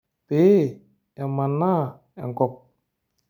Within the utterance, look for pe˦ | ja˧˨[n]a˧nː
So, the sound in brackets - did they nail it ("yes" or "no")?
no